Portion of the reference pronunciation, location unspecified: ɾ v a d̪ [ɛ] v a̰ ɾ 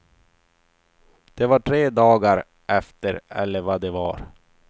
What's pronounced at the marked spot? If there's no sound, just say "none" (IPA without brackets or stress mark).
ɛ